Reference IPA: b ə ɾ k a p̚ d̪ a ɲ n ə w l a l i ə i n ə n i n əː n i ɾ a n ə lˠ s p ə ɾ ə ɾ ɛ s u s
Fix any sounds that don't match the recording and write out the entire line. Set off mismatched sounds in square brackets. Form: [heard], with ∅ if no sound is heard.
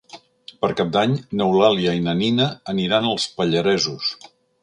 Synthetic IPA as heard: [p] ə ɾ k a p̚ d̪ a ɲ n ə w l a l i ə i n ə n i n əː n i ɾ a n ə lˠ s p ə [ʎ] ə ɾ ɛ [z] u s

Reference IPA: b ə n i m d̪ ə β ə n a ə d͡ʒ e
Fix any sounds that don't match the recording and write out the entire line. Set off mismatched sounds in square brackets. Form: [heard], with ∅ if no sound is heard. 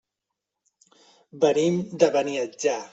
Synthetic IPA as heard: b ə n i m d̪ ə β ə n [i] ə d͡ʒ [a]

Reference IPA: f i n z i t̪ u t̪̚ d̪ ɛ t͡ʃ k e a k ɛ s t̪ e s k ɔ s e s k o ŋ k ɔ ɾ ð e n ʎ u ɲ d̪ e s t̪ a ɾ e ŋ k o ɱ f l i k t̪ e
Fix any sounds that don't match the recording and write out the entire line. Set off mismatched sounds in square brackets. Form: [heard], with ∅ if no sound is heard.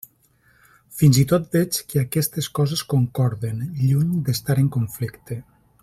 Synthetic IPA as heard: f i n z i t̪ [o] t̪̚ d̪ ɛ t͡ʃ k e a k ɛ s t̪ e s k ɔ [z] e s k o ŋ k ɔ ɾ ð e n ʎ u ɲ d̪ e s t̪ a ɾ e ŋ k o ɱ f l i k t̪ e

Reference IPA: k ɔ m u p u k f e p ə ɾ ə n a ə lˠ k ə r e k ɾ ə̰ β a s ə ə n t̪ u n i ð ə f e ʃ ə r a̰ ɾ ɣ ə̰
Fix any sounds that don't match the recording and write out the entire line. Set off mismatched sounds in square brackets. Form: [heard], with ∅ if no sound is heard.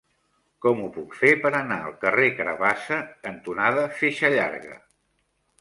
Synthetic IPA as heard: k ɔ m u p u k f e p ə ɾ ə n a ə lˠ k ə r e k ɾ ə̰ β a s ə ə n t̪ u n [a] ð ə f e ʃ ə [ʎ] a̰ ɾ ɣ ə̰

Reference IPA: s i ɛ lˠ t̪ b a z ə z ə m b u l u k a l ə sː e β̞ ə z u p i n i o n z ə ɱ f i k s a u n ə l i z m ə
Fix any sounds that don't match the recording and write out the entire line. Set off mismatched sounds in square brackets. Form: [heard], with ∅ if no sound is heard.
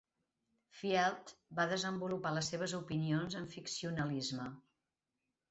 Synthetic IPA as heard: [f] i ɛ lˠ t̪ b a [ð] ə z ə m b u l u [p] a l ə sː e β̞ ə z u p i n i o n z ə ɱ f i k s [i] u n ə l i z m ə

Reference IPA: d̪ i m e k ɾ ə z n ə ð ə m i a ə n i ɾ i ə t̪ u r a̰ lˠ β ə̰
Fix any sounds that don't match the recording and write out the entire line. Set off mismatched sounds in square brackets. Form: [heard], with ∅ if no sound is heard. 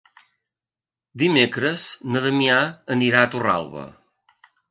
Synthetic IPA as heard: d̪ i m e k ɾ ə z n ə ð ə m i a ə n i ɾ [a] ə t̪ u r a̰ lˠ β ə̰

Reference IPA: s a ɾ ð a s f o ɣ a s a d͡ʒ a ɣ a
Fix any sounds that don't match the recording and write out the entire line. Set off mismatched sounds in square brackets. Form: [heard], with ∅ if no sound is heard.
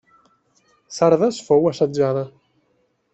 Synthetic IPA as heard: s a ɾ ð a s f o [w] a s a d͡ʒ a [ð] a

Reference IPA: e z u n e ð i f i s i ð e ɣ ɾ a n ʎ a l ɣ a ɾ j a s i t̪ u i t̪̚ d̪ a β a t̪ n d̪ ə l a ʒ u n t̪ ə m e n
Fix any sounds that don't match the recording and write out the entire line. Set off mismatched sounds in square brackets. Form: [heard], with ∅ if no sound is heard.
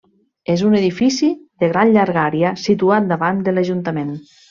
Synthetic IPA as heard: e z u n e ð i f i s i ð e ɣ ɾ a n ʎ a [ɾ] ɣ a ɾ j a s i t̪ u [a] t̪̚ d̪ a β a [∅] n d̪ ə l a ʒ u n t̪ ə m e n

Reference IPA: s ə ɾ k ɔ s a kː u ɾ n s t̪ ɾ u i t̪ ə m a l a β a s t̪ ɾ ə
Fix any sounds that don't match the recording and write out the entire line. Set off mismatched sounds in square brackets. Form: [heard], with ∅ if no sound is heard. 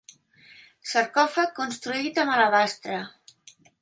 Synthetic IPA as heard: s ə ɾ k ɔ [f] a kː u [∅] n s t̪ ɾ u i t̪ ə m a l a β a s t̪ ɾ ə

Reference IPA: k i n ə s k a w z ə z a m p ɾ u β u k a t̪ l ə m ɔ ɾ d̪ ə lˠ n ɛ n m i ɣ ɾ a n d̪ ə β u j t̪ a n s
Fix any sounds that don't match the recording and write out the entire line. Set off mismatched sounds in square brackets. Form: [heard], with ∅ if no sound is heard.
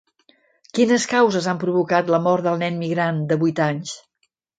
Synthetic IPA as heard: k i n ə s k a w z ə z a m p ɾ u β u k a t̪ l ə m ɔ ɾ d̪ ə lˠ n ɛ n m i ɣ ɾ a n d̪ ə β u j t̪ a [ɲ] s

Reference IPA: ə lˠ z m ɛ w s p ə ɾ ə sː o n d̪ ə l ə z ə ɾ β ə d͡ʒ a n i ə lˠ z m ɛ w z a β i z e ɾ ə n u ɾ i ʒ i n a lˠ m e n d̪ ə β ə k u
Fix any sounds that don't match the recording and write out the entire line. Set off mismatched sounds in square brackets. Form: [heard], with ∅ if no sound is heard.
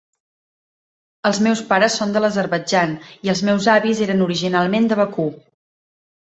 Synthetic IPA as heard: ə lˠ z m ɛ w s p [a] ɾ ə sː o n d̪ ə l ə z ə ɾ β ə d͡ʒ a n i ə lˠ z m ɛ w z a β i z e ɾ ə n u ɾ i ʒ i n a lˠ m e n d̪ ə β ə k u

